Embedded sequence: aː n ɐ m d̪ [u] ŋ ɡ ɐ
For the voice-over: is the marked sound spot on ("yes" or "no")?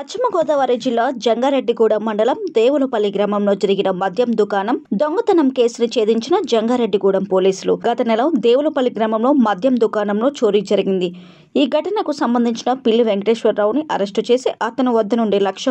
no